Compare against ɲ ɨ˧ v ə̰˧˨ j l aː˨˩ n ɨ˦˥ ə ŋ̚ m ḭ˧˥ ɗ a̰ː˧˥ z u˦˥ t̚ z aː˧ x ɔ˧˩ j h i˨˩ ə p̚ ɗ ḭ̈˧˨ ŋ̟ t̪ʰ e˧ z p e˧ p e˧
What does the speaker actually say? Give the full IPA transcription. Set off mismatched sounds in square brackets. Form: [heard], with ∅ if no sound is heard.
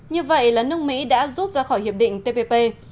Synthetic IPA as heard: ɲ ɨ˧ v ə̰˧˨ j l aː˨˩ n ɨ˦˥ ə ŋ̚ m ḭ˧˥ ɗ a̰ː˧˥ z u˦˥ t̚ z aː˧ x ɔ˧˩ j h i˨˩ ə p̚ ɗ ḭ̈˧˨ ŋ̟ [t̪] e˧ [∅] p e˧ p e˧